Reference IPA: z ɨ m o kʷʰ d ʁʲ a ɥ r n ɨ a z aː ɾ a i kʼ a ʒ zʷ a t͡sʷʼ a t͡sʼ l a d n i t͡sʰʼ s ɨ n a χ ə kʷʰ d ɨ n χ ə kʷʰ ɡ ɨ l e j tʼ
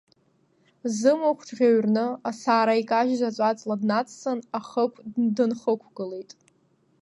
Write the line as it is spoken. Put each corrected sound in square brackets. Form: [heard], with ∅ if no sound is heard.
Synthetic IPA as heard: z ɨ m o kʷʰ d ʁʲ a ɥ r n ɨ a [s] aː ɾ a i kʼ a ʒ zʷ a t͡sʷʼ a t͡sʼ l a d n [a] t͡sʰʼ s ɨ n a χ ə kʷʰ d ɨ n χ ə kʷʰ ɡ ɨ l e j tʼ